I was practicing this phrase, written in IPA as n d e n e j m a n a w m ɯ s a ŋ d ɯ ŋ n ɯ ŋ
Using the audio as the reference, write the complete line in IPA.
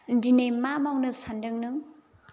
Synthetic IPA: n d i n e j m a m a w n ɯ s a n d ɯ ŋ n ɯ ŋ